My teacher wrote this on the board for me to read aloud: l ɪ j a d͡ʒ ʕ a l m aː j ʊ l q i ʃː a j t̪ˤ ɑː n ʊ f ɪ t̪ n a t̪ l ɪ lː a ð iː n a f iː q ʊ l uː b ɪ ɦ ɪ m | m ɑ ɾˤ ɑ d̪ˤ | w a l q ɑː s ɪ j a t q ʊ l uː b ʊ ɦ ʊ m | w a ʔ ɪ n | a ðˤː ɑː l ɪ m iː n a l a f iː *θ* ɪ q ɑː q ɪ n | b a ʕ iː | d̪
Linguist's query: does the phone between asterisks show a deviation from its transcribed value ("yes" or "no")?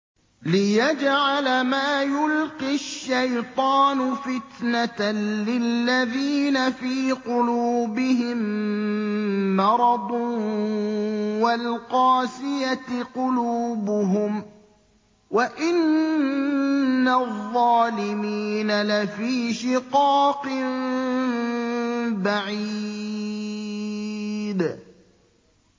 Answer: yes